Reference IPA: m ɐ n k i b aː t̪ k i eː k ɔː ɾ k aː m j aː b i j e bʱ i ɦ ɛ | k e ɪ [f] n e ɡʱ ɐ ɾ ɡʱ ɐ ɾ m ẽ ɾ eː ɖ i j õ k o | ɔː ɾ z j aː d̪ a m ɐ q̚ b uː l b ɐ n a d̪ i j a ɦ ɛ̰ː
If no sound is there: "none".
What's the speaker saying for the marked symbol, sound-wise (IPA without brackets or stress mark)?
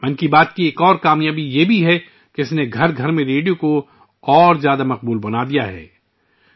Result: s